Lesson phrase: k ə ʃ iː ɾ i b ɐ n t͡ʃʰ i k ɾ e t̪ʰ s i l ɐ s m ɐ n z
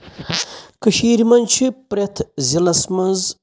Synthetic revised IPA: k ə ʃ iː ɾ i m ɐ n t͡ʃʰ i p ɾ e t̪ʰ z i l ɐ s m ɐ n z